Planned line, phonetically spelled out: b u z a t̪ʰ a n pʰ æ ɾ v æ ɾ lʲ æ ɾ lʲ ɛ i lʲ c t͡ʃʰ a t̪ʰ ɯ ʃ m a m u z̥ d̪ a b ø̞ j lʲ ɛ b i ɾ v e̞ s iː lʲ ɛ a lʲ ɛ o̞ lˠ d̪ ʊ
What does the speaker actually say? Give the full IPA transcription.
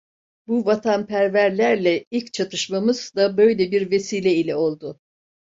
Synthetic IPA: b u v a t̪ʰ a n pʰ æ ɾ v æ ɾ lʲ æ ɾ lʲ ɛ i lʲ c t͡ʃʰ a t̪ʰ ɯ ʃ m a m ɯ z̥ d̪ a b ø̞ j lʲ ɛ b i ɾ v e̞ s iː lʲ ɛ i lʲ ɛ o̞ lˠ d̪ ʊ